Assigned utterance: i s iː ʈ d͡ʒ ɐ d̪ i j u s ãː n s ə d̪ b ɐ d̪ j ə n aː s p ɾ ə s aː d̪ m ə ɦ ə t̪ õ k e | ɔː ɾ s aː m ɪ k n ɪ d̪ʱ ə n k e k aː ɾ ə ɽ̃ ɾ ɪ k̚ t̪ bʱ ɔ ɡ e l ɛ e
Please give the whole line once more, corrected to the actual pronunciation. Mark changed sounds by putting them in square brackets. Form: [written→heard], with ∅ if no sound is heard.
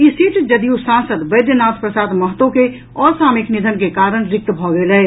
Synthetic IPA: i s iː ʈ d͡ʒ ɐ d̪ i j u s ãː n s ə d̪ b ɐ d̪ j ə n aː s p ɾ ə s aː d̪ m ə ɦ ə t̪ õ k e | ɔː ɾ s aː m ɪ k n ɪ d̪ʱ ə n k e k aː ɾ ə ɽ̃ ɾ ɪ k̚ t̪ bʱ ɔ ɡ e l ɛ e